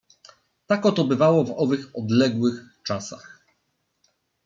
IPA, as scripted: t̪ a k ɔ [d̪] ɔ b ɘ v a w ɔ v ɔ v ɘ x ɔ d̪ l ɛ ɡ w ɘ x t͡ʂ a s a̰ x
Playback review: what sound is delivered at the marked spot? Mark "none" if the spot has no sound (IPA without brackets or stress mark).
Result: t̪